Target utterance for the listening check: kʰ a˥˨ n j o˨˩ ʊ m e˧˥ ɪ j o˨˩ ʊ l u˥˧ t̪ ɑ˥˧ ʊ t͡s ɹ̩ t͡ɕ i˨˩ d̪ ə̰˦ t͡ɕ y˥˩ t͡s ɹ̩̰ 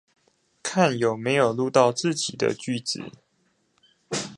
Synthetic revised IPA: kʰ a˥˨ n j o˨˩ ʊ m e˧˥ ɪ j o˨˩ ʊ l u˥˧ t̪ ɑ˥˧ ʊ t͡s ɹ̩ t͡ɕ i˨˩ d̪ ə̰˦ t͡ɕ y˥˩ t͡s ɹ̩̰